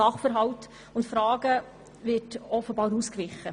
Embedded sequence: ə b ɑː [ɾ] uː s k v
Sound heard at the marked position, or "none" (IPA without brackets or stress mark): ɾ